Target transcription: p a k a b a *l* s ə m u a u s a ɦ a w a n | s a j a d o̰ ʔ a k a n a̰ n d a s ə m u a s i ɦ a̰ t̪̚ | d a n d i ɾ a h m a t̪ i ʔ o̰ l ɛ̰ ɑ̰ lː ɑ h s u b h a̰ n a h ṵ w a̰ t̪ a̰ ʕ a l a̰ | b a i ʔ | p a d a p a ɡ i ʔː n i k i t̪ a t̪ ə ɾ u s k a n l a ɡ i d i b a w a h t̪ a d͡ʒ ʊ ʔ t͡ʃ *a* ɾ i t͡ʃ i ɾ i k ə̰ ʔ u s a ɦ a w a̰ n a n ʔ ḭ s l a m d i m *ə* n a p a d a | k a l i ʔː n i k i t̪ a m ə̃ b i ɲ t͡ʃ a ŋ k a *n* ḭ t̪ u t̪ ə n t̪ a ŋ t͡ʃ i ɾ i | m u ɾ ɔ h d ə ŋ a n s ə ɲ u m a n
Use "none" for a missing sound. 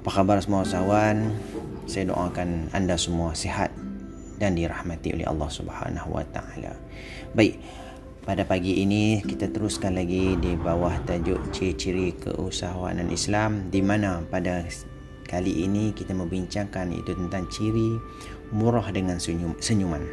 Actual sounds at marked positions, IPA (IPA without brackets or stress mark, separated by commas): r, i, a, n